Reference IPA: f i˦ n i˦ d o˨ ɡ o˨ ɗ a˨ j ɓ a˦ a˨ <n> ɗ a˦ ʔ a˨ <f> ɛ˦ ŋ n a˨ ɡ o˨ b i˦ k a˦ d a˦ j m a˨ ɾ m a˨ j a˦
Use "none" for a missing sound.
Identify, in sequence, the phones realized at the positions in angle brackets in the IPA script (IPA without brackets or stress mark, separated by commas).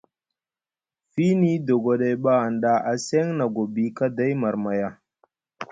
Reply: n, s